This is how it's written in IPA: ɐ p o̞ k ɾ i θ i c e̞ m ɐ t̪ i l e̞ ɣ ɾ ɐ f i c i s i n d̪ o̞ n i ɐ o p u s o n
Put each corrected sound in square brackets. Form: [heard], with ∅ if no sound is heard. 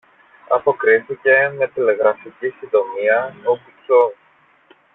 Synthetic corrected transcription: ɐ p o̞ k ɾ i θ i c e̞ m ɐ t̪ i l e̞ ɣ ɾ ɐ f i c i s i n d̪ o̞ [m] i ɐ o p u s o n